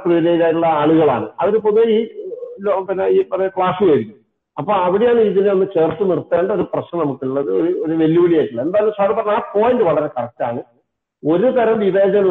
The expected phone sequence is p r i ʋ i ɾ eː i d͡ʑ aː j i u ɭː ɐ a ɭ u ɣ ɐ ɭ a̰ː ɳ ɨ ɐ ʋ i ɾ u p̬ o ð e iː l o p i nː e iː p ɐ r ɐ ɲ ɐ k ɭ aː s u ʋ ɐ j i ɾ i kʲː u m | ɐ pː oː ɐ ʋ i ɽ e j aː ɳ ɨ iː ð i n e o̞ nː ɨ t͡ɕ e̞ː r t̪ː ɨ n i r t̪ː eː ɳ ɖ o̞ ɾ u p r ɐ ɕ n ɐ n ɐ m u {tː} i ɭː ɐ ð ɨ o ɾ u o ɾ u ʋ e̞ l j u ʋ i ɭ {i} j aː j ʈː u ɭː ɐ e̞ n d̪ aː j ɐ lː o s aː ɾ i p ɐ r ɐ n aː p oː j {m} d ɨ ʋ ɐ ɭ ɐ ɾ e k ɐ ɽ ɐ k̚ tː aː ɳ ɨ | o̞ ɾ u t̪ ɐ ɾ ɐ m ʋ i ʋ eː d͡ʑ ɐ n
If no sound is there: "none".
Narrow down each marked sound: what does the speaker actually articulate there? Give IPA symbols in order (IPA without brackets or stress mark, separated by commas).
kː, i, n